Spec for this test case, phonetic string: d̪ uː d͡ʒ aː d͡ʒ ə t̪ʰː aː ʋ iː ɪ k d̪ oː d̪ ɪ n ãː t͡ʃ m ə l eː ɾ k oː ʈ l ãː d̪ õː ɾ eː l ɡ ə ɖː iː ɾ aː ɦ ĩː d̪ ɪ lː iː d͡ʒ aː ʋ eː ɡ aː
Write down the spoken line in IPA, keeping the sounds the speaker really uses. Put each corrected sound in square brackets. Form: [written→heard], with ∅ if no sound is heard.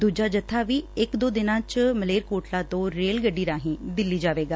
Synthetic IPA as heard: d̪ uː d͡ʒ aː d͡ʒ ə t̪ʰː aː ʋ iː ɪ k d̪ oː d̪ ɪ n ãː t͡ʃ m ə l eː ɾ k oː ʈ l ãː [d̪→t̪] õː ɾ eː l ɡ ə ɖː iː ɾ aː ɦ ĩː d̪ ɪ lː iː d͡ʒ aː ʋ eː ɡ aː